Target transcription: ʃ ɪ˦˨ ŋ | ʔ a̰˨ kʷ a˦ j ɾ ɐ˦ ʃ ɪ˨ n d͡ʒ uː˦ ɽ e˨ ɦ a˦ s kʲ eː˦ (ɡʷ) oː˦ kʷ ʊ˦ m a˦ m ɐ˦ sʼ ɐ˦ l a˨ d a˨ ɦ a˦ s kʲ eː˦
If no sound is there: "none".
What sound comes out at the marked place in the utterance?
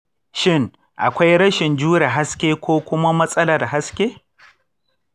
kʷ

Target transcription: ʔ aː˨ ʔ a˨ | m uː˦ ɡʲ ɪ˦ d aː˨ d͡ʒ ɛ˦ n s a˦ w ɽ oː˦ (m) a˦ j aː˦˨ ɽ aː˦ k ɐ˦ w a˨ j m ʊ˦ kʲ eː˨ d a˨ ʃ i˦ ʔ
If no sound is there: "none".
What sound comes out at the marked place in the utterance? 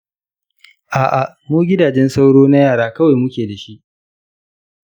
n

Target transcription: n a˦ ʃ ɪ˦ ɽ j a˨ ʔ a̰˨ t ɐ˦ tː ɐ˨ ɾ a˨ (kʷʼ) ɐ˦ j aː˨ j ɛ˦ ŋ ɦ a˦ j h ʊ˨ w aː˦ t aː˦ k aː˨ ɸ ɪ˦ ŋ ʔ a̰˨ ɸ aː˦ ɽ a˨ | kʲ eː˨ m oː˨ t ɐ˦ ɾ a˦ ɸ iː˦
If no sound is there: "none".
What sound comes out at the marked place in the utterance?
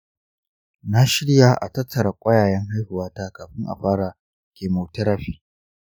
kʷʼ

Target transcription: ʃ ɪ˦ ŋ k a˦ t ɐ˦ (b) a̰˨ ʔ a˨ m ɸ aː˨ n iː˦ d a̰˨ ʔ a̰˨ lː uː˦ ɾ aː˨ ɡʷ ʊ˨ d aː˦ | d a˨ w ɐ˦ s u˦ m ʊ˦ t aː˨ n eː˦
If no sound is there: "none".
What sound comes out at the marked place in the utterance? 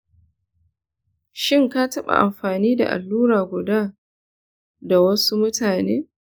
ɓ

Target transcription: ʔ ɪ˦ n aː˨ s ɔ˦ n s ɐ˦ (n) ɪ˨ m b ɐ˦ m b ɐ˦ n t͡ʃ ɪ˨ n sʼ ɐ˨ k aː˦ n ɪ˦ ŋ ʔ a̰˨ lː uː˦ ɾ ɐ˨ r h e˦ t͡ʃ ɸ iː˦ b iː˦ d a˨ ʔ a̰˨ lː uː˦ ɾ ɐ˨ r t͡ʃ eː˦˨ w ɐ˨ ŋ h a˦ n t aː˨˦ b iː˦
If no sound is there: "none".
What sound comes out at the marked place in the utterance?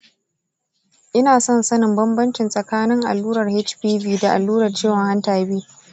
n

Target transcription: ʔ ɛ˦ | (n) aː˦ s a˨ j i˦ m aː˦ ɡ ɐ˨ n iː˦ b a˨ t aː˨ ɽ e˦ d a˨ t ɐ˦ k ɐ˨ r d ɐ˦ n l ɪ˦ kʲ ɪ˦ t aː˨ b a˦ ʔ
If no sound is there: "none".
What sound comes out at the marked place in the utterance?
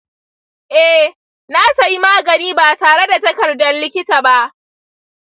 n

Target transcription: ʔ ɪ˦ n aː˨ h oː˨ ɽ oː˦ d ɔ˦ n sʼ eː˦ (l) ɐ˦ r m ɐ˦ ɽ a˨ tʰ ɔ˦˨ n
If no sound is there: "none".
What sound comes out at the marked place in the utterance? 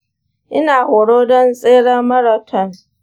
ɽ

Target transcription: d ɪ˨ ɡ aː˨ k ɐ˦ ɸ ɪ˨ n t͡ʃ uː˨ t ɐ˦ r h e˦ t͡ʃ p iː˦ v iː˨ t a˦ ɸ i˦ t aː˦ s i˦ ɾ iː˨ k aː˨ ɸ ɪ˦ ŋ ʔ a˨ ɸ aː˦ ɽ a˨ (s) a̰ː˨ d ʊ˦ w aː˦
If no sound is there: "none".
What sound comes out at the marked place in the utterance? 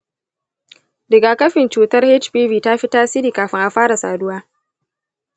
s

